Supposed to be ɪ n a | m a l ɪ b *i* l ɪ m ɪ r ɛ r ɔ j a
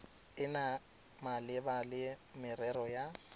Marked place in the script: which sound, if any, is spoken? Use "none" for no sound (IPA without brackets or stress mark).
a